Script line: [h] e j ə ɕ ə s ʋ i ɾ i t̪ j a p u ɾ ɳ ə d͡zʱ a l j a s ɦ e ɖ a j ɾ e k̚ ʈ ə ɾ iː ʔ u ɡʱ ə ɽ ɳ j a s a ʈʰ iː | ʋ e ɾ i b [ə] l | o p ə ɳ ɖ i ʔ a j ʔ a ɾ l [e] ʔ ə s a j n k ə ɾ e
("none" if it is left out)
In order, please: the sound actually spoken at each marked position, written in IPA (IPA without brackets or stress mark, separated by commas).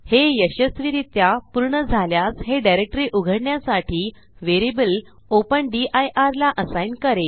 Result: h, ə, a